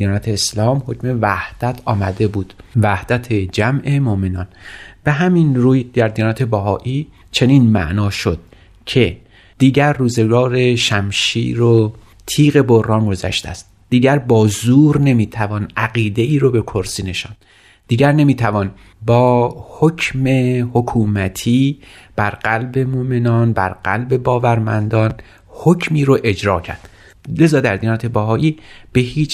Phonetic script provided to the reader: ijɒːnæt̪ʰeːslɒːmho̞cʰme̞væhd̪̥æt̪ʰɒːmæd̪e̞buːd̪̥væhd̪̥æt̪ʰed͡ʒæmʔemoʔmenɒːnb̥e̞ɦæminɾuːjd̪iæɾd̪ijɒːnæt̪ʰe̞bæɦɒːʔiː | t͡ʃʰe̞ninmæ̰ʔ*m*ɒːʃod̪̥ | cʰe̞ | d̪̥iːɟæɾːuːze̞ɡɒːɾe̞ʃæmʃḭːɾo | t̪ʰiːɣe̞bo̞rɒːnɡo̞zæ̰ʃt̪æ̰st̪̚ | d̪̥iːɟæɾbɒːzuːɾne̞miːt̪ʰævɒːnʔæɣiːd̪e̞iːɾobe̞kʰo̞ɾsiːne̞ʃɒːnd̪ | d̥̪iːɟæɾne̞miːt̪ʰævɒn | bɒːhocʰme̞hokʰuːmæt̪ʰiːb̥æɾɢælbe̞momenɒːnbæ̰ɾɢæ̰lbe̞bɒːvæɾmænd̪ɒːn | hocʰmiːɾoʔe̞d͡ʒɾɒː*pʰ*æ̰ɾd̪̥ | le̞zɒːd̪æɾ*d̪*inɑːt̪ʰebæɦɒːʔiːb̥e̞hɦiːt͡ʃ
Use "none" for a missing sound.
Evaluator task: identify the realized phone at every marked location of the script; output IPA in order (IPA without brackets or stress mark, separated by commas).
n, cʰ, d̪